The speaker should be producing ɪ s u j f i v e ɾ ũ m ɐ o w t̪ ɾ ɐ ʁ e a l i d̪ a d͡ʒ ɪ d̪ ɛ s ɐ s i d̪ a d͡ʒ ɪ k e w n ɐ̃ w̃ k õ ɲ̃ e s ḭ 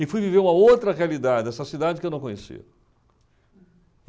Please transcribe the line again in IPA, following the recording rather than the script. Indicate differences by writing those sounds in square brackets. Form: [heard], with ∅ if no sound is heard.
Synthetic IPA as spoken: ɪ [f] u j [v] i v e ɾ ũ m ɐ o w t̪ ɾ ɐ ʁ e a l i d̪ a d͡ʒ ɪ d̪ ɛ s ɐ s i d̪ a d͡ʒ ɪ k e w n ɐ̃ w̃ k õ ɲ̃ e s ḭ